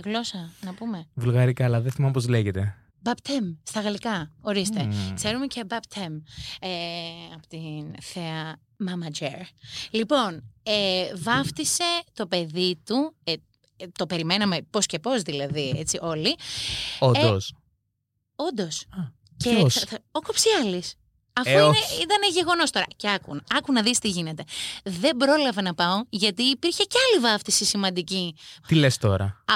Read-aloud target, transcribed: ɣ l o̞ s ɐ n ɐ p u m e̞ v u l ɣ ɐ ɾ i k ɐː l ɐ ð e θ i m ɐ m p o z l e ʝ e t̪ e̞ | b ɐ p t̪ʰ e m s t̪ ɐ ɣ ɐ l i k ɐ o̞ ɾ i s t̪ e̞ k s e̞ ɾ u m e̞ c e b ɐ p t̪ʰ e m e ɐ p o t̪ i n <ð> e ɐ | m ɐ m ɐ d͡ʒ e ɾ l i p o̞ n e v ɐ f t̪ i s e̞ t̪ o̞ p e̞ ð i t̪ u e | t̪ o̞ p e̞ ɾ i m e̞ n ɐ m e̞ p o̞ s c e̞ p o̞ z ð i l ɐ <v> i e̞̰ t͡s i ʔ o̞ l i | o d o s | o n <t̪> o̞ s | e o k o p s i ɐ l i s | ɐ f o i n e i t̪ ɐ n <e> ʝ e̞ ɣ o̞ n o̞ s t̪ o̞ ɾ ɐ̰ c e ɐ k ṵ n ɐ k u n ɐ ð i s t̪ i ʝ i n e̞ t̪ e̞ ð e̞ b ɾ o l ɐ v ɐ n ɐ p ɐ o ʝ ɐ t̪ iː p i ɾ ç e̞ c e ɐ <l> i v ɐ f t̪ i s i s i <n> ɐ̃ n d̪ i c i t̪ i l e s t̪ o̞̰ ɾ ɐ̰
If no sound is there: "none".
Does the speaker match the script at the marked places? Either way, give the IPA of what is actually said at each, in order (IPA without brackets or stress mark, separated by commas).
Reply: θ, ð, d̪, e, l, m